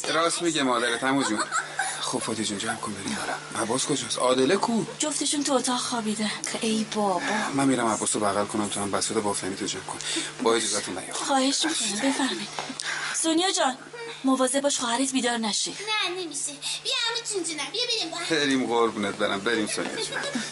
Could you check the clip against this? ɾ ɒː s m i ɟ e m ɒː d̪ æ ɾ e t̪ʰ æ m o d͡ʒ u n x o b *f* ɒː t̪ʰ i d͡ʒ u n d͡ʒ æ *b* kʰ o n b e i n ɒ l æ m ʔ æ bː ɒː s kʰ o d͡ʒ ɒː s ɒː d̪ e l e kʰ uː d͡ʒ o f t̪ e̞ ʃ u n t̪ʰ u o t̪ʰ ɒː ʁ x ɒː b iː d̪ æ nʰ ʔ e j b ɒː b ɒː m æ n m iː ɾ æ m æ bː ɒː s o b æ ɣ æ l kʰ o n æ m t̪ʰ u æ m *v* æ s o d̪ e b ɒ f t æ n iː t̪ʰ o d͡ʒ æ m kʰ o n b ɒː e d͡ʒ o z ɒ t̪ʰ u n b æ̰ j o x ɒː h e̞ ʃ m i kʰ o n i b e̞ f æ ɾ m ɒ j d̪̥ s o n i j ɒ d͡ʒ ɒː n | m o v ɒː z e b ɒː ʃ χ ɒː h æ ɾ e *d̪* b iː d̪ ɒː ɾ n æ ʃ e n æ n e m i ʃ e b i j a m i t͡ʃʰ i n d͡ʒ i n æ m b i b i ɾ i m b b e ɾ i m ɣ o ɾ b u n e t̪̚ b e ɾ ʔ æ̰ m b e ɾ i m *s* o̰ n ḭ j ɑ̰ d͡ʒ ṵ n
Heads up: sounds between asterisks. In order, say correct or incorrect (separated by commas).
correct, incorrect, incorrect, incorrect, correct